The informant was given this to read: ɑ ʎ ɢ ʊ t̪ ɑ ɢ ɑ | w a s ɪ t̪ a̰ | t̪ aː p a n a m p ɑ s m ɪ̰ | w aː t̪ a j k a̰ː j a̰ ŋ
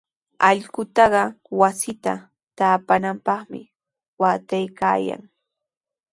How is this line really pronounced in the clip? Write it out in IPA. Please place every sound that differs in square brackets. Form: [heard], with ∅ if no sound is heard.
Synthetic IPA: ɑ ʎ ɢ ʊ t̪ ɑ ɢ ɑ | w a s ɪ t̪ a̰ | t̪ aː p a n a m p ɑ [χ] m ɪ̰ | w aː t̪ a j k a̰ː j a̰ ŋ